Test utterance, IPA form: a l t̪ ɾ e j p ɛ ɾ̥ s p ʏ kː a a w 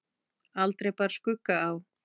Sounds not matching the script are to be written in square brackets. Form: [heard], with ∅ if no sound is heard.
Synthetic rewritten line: a l t̪ ɾ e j p [a] ɾ̥ s [k] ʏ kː a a w